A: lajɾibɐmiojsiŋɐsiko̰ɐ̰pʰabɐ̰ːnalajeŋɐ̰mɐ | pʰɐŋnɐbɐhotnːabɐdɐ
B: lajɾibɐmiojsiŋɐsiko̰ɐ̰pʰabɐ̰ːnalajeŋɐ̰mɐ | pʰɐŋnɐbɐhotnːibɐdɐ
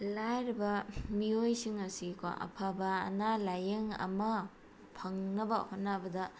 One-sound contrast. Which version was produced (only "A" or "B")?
A